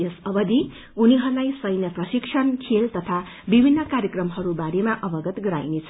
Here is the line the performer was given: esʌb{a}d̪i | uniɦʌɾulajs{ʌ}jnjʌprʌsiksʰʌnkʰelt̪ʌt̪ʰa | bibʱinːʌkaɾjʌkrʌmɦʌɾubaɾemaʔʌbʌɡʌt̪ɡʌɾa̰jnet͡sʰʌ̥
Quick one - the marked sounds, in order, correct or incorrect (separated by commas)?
incorrect, correct